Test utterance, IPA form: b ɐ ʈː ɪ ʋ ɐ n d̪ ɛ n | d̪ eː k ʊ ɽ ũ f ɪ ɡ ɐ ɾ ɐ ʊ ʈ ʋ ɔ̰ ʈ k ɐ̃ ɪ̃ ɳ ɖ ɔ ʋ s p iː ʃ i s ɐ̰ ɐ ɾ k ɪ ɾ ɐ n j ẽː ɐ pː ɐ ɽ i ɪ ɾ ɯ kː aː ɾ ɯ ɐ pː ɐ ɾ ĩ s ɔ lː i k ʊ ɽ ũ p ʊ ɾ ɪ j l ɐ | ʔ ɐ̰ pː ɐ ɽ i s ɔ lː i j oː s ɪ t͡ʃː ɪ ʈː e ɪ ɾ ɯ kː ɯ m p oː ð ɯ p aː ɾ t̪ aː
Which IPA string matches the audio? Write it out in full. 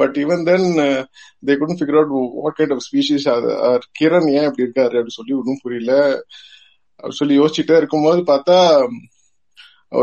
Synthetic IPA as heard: b ɐ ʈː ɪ ʋ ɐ n d̪ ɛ n | d̪ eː k ʊ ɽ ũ f ɪ ɡ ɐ ɾ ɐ ʊ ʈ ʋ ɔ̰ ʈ k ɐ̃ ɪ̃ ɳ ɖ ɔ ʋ s p iː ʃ i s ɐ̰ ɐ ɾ k ɪ ɾ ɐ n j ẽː ɐ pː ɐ ɽ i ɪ ɾ ɯ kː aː ɾ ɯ ɐ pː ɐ ɽ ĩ s ɔ lː i k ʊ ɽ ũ p ʊ ɾ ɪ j l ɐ | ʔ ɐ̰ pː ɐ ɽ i s ɔ lː i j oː s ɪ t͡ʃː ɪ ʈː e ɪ ɾ ɯ kː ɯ m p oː ð ɯ p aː ɾ t̪ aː